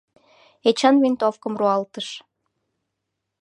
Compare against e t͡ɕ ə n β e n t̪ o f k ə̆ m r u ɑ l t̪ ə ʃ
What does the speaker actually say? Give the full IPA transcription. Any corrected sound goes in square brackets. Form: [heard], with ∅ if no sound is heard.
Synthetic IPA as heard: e t͡ɕ [ɑ] n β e n t̪ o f k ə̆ m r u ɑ l t̪ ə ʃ